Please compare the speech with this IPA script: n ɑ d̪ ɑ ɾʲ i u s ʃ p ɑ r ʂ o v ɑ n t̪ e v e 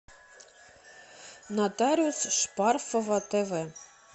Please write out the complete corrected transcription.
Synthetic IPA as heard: n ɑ t̪ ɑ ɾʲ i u s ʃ p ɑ r f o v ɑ t̪ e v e